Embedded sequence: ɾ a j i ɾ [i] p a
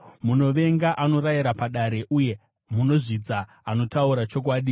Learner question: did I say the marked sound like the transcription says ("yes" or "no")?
no